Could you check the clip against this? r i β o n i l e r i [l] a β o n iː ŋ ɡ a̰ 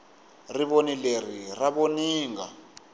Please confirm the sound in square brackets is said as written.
no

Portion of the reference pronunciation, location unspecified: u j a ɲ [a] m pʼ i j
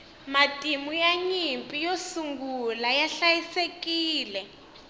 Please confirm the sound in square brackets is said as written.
no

